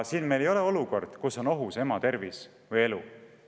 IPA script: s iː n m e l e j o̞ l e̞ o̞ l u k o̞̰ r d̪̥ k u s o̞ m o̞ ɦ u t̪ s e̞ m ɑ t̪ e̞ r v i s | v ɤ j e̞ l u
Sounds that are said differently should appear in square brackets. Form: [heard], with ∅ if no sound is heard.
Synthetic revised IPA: s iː n m e l e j o̞ l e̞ o̞ l u k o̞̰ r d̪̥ k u s o̞ [n] o̞ ɦ u [∅] s e̞ m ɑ t̪ e̞ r v i s | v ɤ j e̞ l u